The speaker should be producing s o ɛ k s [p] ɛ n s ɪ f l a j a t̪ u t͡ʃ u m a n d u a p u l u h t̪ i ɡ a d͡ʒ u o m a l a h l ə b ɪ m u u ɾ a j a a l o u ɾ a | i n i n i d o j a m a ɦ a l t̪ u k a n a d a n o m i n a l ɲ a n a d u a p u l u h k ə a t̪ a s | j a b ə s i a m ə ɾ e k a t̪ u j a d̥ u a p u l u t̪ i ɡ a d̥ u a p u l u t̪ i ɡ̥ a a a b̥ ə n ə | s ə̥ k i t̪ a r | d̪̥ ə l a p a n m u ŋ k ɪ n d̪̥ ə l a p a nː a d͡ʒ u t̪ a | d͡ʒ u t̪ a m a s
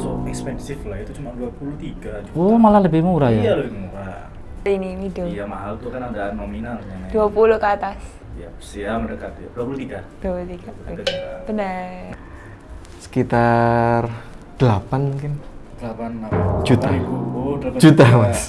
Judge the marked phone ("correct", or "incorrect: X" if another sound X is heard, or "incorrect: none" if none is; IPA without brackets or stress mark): correct